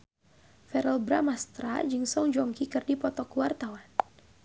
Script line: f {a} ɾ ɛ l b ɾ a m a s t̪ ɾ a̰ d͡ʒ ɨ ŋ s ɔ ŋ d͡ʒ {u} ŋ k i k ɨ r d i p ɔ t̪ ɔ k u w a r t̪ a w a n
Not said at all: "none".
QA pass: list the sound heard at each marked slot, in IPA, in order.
ɛ, ɔ

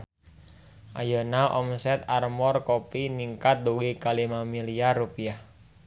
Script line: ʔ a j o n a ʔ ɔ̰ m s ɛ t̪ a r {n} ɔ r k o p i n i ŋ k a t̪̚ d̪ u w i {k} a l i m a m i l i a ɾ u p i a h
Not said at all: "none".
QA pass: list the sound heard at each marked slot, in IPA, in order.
m, k

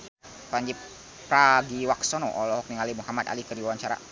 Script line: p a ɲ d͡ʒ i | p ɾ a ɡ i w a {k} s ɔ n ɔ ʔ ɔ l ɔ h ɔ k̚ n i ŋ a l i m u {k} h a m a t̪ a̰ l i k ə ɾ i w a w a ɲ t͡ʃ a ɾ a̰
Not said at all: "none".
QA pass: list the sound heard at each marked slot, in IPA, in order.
k, none

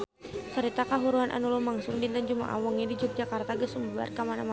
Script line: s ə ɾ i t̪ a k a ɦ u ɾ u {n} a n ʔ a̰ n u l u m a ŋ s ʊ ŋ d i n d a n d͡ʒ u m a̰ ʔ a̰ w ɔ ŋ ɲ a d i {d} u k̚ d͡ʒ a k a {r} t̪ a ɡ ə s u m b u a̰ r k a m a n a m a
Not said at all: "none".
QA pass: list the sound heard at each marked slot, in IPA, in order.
none, d͡ʒ, r

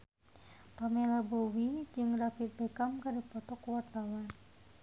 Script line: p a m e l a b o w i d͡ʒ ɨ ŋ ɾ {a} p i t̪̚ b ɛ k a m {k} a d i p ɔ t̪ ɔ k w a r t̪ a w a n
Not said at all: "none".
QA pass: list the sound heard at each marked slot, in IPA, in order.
a, k

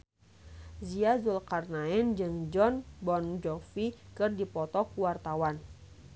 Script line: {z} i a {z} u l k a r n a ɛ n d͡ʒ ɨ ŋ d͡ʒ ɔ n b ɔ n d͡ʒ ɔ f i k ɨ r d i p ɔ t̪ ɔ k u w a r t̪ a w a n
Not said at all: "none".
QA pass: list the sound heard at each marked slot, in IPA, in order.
z, z

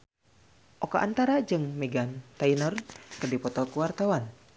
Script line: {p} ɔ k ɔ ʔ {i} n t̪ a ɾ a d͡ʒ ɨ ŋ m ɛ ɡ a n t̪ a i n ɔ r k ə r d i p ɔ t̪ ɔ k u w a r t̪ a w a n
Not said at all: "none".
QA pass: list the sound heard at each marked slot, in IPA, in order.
ʔ, a

